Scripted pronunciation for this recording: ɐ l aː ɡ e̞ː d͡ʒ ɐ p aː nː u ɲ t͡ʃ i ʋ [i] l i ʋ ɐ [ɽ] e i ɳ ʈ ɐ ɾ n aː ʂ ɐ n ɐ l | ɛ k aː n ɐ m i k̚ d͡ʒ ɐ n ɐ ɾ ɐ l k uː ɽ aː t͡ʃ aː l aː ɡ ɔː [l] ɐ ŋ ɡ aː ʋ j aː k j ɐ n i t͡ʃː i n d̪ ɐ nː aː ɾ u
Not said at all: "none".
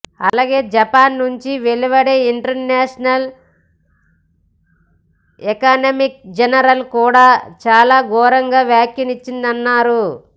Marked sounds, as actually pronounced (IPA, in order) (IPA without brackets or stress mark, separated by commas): e, ɽ, ɾ